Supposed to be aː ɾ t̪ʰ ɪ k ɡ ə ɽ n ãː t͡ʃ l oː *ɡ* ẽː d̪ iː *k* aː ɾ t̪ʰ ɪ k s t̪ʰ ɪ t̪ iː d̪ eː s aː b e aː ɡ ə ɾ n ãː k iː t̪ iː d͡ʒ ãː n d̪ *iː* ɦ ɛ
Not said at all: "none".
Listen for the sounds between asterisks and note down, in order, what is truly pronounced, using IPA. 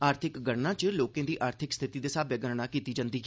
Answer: k, ʔ, iː

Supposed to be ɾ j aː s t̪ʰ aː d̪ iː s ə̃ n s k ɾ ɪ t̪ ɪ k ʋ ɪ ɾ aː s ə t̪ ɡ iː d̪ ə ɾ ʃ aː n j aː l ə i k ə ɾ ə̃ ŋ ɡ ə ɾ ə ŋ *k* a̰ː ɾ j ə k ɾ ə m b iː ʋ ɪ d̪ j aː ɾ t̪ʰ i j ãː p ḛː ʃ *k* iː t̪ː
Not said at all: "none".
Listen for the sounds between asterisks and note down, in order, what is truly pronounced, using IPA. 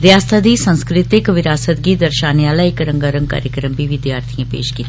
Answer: k, k

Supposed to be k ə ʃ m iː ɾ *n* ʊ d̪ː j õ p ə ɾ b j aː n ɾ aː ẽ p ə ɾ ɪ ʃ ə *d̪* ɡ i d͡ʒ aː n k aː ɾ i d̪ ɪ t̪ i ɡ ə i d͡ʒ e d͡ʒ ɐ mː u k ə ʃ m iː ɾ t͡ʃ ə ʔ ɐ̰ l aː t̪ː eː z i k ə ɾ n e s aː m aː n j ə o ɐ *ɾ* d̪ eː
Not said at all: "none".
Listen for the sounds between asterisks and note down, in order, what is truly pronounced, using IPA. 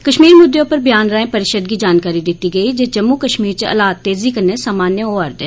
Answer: m, d̪, ɾ

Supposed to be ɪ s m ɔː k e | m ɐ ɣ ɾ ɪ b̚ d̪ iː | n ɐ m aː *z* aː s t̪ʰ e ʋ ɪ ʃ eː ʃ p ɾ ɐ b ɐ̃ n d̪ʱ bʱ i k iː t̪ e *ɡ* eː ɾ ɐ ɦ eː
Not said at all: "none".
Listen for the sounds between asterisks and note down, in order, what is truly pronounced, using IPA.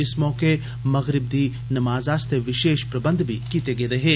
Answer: z, ɡ

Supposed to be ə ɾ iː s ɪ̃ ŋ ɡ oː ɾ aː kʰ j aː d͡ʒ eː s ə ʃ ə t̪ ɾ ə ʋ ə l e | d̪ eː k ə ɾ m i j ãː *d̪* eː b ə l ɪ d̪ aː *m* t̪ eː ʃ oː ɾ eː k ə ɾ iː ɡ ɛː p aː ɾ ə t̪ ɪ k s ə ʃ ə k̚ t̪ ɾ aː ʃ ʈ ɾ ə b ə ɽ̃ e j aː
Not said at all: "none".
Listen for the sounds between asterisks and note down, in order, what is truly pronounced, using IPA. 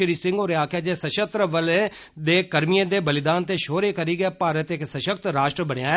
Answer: d̪, n

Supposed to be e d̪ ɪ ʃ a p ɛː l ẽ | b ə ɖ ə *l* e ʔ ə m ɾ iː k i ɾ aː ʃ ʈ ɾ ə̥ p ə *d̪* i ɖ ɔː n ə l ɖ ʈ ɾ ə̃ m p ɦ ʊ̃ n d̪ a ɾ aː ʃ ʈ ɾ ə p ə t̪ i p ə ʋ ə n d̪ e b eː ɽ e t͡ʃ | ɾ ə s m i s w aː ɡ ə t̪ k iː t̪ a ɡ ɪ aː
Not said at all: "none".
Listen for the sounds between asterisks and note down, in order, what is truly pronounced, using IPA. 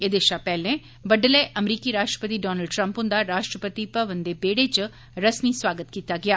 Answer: l, t̪

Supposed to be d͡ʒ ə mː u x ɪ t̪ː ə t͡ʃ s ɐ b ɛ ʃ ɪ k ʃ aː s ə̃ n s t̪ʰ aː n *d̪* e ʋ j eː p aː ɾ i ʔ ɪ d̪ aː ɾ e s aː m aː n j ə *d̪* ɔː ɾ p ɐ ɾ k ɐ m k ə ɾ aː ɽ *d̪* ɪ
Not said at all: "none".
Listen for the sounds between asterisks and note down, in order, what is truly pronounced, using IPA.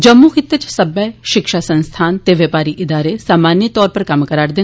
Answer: t̪, t̪, d̪

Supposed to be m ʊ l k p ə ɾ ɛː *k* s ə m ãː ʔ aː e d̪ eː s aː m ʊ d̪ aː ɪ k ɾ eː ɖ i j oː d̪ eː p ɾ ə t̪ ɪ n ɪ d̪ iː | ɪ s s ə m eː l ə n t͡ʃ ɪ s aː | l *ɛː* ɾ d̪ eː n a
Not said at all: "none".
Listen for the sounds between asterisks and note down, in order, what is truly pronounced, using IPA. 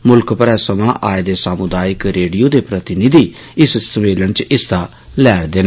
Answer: none, ɛː

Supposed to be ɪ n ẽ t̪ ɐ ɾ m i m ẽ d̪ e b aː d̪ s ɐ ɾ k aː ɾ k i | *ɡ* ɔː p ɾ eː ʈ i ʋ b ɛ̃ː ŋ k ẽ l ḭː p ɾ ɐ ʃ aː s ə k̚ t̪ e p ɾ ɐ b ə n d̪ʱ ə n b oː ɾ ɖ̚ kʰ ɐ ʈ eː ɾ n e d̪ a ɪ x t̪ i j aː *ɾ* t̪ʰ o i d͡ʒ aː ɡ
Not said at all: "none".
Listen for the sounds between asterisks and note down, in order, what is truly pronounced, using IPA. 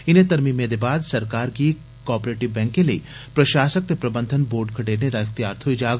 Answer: k, ɾ

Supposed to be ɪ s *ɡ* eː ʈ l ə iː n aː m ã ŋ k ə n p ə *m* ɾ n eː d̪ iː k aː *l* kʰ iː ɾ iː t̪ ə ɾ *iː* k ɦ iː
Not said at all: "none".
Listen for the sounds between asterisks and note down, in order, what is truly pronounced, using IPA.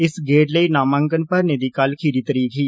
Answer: ɡ, none, l, iː

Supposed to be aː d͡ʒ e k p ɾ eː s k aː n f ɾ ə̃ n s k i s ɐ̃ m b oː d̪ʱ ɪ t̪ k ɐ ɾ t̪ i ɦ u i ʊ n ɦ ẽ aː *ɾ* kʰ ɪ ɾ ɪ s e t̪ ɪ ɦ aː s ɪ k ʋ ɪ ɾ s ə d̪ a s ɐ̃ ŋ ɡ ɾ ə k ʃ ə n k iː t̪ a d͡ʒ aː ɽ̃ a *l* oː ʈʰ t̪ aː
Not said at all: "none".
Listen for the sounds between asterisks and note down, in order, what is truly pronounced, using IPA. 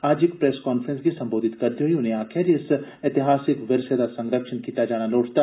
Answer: none, l

